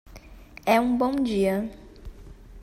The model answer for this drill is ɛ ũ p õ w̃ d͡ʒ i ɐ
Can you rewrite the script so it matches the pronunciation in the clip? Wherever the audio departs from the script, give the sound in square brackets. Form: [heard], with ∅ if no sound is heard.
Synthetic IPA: ɛ ũ [b] õ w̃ d͡ʒ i ɐ